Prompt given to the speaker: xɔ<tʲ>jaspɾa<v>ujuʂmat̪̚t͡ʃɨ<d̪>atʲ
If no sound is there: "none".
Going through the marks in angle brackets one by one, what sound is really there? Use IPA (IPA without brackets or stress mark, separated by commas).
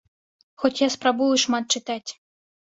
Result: tʲ, b, t̪